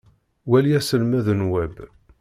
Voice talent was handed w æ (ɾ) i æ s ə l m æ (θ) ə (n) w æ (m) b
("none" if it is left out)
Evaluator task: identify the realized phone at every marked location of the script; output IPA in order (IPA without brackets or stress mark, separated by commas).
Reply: l, ð, n, none